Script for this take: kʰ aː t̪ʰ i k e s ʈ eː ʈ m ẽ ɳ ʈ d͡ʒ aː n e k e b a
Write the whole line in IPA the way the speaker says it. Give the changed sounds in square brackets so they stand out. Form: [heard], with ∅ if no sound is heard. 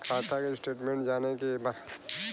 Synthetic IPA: kʰ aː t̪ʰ [a] k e s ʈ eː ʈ m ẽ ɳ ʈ d͡ʒ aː n e k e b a